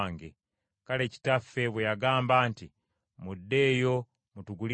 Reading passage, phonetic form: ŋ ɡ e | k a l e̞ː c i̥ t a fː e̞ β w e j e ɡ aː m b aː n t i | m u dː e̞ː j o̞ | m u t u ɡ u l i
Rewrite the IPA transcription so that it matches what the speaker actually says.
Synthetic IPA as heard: ŋ ɡ e | k a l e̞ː c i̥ t a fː e̞ β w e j a ɡ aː m b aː n t i | m u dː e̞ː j o̞ | m u t u ɡ u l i